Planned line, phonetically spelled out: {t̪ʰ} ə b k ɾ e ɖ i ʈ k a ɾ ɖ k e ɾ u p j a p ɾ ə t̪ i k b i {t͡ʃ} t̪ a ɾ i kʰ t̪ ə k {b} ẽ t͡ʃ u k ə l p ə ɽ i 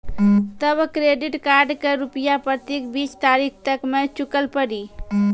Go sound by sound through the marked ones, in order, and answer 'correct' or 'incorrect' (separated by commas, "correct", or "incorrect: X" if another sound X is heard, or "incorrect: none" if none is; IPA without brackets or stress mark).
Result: incorrect: t̪, correct, incorrect: m